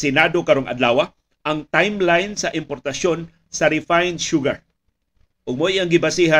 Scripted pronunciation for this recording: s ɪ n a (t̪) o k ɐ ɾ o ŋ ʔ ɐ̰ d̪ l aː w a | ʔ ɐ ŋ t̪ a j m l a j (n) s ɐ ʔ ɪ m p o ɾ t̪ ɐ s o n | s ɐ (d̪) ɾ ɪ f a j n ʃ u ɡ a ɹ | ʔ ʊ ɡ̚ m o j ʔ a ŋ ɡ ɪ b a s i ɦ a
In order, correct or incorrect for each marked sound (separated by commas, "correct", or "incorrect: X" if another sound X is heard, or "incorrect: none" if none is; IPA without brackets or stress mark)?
incorrect: d̪, correct, incorrect: none